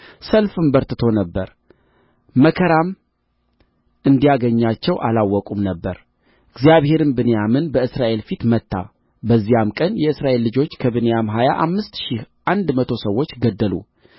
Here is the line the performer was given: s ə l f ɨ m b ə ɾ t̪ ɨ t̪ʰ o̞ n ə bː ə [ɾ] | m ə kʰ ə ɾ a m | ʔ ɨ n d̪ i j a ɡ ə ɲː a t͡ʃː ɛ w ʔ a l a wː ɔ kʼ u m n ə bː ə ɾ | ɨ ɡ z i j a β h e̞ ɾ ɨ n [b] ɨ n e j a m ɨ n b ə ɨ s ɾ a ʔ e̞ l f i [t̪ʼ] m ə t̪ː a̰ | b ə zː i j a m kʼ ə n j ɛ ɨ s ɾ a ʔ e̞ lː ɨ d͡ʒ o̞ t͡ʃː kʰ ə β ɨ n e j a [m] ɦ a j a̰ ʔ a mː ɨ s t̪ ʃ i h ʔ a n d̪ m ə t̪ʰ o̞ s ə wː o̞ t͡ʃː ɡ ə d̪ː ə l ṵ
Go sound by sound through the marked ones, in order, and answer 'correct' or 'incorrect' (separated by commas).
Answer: correct, correct, incorrect, correct